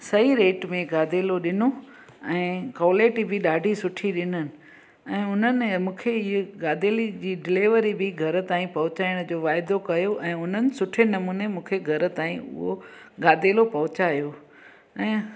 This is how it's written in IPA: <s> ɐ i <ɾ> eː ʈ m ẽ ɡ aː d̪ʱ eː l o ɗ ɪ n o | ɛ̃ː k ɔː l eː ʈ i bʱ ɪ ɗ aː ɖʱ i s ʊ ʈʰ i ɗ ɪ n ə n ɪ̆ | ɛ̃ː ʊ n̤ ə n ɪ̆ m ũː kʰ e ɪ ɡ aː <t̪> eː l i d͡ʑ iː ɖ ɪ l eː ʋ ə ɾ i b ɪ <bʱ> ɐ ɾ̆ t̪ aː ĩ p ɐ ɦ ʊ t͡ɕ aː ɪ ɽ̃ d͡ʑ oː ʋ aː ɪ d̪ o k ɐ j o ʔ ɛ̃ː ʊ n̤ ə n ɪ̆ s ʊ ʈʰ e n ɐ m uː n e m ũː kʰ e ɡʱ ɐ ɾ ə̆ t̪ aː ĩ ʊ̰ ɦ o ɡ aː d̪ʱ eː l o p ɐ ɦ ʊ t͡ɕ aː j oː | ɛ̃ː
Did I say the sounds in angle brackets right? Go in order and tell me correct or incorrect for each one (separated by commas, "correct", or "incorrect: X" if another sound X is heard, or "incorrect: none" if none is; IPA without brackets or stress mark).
correct, correct, incorrect: d̪, incorrect: ɡʱ